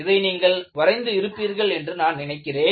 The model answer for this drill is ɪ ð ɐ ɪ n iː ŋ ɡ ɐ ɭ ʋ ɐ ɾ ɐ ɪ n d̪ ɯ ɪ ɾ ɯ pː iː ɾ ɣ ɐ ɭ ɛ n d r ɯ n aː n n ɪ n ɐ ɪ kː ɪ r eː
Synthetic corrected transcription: ɪ ð ɐ ɪ n iː ŋ ɡ ɐ ɭ ʋ ɐ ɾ ɐ ɪ n d̪ ɯ ɪ ɾ ɯ pː iː ɾ ɣ ɐ ɭ ɛ n d r ɯ n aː n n ɪ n ɐ ɪ kː ɪ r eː